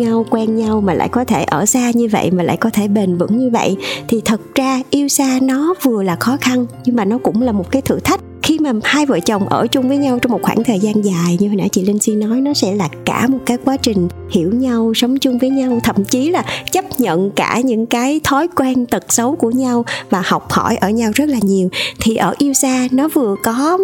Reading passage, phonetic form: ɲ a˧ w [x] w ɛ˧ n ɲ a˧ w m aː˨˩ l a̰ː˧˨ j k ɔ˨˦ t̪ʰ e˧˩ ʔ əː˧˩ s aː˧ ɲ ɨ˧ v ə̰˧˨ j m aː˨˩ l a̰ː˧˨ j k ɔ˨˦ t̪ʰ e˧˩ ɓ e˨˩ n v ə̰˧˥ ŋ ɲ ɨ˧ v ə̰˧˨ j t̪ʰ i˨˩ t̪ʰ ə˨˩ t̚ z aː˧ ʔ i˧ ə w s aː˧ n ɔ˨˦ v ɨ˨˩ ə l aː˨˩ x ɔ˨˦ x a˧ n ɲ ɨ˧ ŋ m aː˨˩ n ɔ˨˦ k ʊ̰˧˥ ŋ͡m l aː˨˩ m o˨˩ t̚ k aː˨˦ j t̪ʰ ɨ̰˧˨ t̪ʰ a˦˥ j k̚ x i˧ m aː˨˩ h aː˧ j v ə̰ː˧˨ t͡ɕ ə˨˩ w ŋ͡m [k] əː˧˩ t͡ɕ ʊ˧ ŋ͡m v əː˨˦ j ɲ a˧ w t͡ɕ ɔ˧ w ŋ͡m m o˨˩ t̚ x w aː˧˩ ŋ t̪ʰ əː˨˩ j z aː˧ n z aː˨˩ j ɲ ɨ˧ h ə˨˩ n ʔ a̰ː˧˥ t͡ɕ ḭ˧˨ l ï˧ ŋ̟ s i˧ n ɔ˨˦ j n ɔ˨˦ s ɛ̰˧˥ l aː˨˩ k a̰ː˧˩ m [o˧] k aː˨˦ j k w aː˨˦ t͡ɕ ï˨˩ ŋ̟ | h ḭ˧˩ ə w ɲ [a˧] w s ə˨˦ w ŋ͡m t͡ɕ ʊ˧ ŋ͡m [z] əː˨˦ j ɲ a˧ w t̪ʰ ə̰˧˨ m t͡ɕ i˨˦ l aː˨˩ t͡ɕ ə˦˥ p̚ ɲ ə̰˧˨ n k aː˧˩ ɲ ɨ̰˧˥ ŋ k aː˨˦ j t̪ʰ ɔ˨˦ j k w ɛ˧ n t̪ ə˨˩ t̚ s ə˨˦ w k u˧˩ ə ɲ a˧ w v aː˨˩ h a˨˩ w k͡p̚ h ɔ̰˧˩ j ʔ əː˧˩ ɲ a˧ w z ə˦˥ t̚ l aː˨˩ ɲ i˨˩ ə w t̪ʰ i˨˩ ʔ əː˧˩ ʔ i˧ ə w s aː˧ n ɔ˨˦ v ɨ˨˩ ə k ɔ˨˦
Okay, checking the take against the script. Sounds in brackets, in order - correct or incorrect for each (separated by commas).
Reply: incorrect, incorrect, incorrect, correct, incorrect